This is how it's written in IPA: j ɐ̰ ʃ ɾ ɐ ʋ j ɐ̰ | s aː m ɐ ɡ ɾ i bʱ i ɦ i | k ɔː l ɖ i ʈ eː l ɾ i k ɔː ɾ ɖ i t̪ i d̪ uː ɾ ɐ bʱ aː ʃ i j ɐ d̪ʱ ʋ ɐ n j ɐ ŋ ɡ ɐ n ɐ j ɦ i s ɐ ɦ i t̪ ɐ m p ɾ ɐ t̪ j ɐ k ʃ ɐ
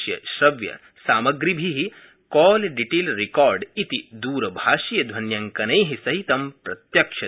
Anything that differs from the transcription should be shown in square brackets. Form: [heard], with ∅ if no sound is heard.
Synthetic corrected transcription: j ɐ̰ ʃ ɾ ɐ ʋ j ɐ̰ | s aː m ɐ ɡ ɾ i bʱ i ɦ i | k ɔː l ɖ i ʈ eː l ɾ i k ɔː ɾ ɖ i t̪ i d̪ uː ɾ ɐ bʱ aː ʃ i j ɐ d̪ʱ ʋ ɐ n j ɐ ŋ [k] ɐ n ɐ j ɦ i s ɐ ɦ i t̪ ɐ m p ɾ ɐ t̪ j ɐ k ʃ ɐ